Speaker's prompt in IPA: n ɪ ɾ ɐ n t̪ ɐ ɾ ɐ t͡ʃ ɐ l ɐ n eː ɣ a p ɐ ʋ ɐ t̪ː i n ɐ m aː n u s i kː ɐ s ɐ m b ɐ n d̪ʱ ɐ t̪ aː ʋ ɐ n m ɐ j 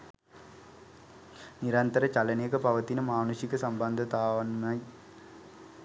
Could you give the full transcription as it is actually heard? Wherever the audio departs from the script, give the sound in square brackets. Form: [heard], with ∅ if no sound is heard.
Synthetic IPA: n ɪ ɾ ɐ n t̪ ɐ ɾ ɐ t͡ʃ ɐ l ɐ n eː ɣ [ɐ] p ɐ ʋ ɐ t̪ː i n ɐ m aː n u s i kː ɐ s ɐ m b ɐ n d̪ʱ ɐ t̪ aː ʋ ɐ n m ɐ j